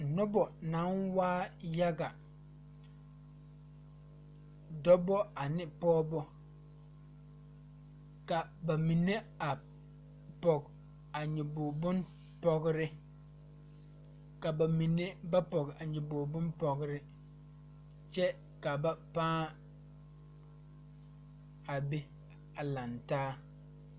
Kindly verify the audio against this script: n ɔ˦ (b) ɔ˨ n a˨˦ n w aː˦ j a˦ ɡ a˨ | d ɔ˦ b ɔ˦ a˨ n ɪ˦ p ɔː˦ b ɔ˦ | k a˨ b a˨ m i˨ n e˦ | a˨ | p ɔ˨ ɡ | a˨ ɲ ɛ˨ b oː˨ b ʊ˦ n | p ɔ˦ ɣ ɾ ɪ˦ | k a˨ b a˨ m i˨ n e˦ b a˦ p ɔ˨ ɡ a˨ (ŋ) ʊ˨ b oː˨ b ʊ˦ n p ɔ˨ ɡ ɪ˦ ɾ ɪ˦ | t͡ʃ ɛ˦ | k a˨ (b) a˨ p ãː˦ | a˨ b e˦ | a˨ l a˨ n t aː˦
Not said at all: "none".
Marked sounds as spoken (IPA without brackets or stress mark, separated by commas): b, ɲ, b